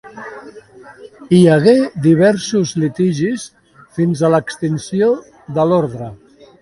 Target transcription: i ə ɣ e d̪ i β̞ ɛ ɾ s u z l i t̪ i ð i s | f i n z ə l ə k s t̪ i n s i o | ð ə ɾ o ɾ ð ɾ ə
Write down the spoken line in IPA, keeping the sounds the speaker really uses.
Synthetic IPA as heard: i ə ɣ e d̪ i β̞ ɛ ɾ s u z l i t̪ i ʒ i s | f i n z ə l ə k s t̪ i n s i o | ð ə l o ɾ ð ɾ ə